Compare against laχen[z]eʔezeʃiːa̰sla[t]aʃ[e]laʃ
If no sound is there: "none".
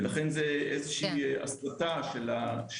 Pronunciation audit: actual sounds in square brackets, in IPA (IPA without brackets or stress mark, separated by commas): z, t, e